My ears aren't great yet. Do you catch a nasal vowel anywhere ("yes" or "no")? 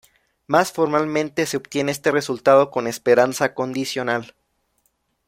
yes